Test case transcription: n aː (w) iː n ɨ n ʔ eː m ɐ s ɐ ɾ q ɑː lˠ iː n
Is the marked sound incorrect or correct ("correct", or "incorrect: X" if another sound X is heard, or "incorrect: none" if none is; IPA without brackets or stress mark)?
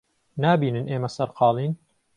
incorrect: b